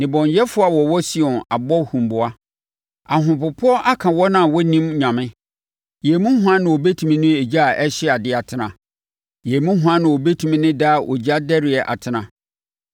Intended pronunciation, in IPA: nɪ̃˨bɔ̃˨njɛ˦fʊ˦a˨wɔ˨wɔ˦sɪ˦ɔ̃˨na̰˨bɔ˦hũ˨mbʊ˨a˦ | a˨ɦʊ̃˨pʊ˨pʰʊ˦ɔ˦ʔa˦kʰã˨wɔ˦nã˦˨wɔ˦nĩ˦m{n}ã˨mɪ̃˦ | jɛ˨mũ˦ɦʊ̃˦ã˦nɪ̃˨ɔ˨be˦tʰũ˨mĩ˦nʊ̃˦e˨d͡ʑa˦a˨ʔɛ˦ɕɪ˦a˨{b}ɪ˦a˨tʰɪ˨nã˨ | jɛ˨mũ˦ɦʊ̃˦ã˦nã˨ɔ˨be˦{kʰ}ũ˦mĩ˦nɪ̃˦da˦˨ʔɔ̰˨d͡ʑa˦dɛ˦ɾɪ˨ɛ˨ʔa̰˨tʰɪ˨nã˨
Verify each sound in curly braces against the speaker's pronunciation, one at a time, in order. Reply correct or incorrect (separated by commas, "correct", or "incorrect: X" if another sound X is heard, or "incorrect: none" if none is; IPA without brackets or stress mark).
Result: incorrect: ɲ, incorrect: d, incorrect: tʰ